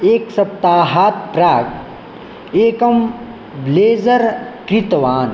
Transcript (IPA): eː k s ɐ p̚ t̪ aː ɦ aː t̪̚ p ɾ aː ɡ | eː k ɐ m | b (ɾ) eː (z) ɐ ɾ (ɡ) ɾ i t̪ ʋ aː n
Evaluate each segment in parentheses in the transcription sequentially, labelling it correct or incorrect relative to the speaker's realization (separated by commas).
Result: incorrect, correct, incorrect